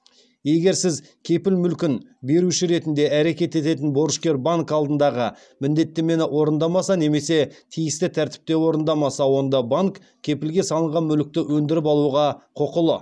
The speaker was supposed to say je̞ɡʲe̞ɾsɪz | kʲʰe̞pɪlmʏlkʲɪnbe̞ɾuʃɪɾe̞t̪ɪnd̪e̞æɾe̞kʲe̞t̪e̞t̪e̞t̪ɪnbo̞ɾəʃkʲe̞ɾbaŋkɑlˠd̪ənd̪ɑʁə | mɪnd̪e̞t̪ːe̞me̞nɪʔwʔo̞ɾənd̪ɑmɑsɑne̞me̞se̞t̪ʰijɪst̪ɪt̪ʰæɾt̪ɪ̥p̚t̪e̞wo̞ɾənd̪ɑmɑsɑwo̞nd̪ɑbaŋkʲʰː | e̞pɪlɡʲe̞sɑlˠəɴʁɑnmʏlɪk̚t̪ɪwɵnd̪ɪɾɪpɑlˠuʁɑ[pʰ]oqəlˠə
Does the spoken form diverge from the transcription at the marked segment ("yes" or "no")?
yes